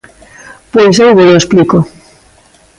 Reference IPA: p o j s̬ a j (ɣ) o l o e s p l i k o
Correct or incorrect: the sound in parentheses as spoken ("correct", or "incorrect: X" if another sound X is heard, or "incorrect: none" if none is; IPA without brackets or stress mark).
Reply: correct